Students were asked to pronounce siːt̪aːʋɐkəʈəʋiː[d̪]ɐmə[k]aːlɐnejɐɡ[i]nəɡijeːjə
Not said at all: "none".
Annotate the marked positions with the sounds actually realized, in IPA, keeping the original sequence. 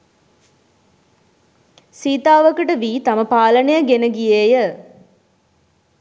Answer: t̪, p, e

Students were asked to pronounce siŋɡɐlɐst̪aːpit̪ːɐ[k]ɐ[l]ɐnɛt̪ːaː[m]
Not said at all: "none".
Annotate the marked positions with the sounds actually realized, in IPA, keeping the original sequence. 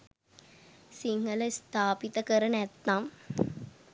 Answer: k, ɾ, m

